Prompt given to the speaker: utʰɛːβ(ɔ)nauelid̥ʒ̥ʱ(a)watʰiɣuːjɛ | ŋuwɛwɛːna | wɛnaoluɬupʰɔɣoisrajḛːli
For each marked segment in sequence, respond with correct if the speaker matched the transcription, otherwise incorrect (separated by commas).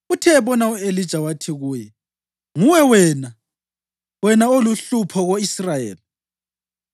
correct, correct